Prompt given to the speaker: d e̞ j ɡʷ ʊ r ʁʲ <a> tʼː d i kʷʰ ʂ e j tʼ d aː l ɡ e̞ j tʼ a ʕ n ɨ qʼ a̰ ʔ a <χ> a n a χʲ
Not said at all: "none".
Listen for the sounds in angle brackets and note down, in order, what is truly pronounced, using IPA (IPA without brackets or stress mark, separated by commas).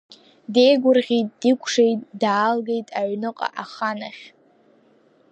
i, χ